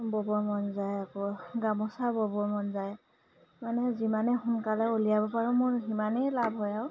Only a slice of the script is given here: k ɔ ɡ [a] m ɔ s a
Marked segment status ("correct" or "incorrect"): correct